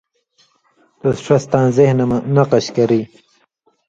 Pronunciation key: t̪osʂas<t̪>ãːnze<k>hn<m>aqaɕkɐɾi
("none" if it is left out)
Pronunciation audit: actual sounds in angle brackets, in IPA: t̪, none, n

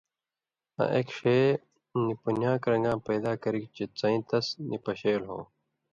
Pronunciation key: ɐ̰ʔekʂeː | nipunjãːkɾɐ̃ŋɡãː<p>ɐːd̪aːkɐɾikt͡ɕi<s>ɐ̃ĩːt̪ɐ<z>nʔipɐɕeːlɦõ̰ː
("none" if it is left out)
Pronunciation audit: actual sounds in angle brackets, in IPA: p, t͡s, s

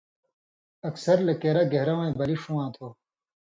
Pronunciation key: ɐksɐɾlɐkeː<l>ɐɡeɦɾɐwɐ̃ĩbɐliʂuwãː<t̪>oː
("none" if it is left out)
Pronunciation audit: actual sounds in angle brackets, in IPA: ɾ, t̪ʰ

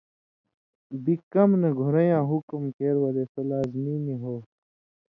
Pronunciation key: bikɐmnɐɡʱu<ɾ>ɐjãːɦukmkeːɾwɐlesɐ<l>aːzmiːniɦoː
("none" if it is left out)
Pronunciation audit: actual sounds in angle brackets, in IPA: ɾ, l

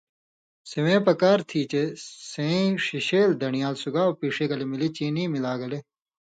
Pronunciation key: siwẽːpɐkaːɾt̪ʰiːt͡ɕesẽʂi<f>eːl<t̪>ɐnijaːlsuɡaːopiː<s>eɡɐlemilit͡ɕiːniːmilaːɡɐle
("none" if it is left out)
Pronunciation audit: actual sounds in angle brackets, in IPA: ɕ, d̪, ʂ

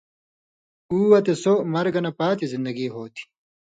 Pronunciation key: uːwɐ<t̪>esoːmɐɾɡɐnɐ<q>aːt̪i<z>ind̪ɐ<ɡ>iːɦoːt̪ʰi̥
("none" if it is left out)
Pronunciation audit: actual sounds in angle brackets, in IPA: t̪, p, z, ɡ

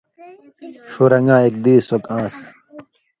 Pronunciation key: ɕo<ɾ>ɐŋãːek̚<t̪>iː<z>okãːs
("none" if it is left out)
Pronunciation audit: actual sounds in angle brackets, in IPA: ɾ, d̪, s

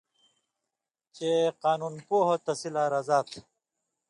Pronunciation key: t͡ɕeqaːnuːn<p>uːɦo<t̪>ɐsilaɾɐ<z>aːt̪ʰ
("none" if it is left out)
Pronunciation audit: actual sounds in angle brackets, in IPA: p, t̪, z

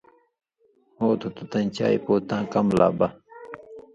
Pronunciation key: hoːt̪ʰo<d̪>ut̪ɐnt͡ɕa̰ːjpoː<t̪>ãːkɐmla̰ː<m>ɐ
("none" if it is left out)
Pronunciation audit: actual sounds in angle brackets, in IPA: t̪, t̪, b

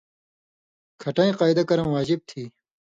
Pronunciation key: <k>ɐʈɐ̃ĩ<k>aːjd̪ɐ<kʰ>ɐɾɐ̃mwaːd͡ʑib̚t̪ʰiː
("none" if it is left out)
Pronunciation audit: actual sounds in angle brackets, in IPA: kʰ, q, k

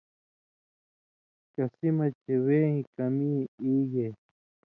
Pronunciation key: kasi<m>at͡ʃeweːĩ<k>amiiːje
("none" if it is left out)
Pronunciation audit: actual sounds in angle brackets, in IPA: m, k

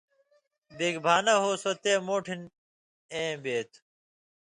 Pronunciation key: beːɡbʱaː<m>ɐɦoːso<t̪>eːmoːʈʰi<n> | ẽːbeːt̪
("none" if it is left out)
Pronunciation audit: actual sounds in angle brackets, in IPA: n, t̪, n

